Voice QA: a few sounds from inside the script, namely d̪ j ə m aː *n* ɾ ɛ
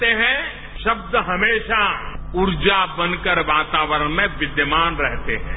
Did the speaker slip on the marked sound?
no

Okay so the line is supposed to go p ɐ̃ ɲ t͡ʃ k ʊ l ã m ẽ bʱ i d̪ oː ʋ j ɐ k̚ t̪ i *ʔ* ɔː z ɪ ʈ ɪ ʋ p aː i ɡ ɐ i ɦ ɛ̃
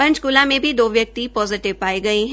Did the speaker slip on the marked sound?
yes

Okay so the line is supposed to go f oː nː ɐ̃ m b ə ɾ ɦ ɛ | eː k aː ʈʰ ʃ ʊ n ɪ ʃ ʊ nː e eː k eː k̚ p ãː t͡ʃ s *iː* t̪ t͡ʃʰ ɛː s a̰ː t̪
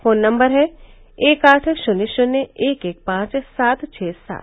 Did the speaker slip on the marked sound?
yes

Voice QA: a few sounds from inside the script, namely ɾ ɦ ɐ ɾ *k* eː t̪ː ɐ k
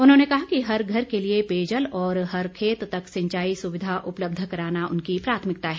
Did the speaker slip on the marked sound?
yes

